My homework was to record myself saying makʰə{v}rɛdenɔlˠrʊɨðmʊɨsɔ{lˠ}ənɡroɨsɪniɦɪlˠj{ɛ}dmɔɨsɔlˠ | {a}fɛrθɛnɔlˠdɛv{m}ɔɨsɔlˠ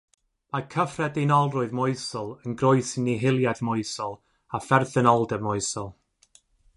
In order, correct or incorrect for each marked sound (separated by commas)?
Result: incorrect, correct, incorrect, correct, correct